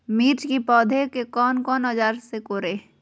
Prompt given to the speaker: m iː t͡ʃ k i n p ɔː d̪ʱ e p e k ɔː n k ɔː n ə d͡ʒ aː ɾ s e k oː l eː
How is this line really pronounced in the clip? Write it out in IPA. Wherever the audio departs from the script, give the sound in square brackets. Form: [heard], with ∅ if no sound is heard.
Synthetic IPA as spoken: m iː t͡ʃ k i [∅] p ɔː d̪ʱ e [k] e k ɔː n k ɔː n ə d͡ʒ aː ɾ s e k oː [ɾ] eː